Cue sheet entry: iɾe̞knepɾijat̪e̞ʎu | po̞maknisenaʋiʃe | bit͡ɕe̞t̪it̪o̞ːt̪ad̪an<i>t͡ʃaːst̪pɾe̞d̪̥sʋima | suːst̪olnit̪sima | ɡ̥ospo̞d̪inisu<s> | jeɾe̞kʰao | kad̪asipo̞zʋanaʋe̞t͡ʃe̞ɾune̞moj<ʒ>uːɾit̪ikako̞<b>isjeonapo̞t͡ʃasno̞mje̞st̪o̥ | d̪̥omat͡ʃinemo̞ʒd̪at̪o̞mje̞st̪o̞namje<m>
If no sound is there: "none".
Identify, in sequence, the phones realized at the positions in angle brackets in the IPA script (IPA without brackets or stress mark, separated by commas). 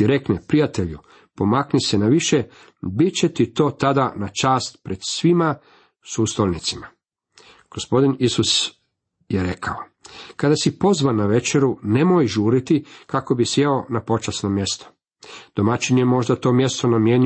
a, s, ʒ, b, ɲ